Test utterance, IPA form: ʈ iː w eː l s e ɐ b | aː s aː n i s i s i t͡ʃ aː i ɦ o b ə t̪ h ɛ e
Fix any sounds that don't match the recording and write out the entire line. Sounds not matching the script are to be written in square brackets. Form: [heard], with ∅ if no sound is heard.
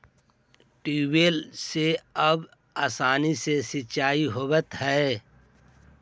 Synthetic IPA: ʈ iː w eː l s e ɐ b | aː s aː n i s [e] s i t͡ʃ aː i ɦ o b ə t̪ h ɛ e